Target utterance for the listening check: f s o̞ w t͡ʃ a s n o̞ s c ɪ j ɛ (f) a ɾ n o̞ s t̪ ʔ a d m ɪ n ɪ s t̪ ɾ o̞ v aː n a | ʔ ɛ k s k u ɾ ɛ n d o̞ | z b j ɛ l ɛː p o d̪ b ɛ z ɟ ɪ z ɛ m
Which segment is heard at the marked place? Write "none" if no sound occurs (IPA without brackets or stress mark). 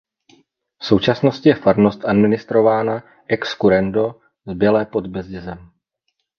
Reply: f